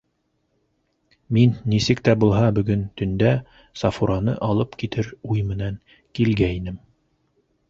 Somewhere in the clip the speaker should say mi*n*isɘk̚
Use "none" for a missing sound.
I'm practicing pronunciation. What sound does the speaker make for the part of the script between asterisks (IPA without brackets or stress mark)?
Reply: nː